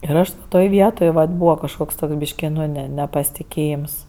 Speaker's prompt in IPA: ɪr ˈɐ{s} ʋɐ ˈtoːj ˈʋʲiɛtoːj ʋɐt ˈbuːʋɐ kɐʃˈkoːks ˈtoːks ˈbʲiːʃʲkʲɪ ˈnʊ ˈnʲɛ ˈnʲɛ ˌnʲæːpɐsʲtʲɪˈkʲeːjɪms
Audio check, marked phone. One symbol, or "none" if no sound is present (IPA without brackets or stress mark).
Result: ʃ